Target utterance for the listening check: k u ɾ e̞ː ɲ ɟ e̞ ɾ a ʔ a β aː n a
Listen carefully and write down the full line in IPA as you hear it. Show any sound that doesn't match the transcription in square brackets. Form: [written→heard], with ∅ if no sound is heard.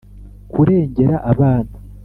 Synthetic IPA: k u ɾ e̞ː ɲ ɟ e̞ ɾ a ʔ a β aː n a